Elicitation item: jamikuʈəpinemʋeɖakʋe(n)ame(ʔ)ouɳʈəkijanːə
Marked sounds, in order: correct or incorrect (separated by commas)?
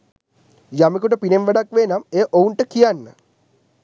correct, correct